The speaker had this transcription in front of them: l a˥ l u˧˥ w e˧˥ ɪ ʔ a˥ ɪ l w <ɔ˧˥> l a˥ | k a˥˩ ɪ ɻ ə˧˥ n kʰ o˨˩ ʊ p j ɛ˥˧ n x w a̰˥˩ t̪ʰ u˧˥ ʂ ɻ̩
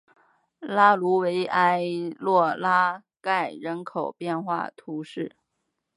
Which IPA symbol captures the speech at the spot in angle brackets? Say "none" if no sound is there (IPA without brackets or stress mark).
ɔ˥˩